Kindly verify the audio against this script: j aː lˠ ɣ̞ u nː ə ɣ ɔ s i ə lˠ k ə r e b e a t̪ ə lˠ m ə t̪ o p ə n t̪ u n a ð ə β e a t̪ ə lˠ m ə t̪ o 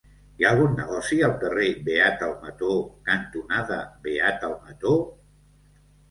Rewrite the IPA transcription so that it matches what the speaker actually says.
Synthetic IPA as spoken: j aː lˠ ɣ̞ u nː ə ɣ ɔ s i ə lˠ k ə r e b e a t̪ ə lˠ m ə t̪ o k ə n t̪ u n a ð ə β e a t̪ ə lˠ m ə t̪ o